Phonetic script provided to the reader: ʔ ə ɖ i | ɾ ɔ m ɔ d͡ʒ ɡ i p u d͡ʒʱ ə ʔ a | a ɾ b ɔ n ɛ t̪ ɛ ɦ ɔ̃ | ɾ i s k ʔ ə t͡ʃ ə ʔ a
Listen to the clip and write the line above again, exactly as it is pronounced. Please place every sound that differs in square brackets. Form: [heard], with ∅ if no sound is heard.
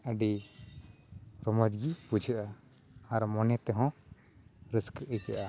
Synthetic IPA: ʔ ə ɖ i | ɾ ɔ m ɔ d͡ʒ ɡ i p u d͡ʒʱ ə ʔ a | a ɾ [m] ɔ n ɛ t̪ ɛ ɦ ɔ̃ | ɾ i s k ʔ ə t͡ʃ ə ʔ a